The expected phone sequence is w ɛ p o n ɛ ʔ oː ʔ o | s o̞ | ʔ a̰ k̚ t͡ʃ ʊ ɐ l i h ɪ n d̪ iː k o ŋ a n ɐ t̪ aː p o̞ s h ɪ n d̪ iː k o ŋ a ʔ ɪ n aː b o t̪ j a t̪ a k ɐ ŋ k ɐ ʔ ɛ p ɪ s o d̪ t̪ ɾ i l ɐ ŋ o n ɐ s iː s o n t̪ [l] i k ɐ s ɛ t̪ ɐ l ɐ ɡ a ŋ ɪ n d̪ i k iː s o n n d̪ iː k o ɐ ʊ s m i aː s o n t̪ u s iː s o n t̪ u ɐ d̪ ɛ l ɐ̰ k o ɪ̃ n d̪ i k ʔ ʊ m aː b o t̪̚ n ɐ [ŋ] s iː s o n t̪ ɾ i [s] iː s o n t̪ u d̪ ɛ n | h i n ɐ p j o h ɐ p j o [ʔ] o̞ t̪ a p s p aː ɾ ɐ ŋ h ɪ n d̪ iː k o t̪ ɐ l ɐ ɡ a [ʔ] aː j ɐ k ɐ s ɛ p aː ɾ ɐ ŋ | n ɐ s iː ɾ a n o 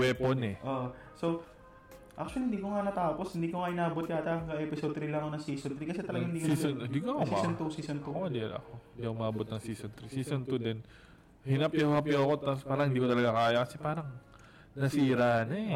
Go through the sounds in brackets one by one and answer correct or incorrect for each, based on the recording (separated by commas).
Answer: incorrect, correct, correct, incorrect, incorrect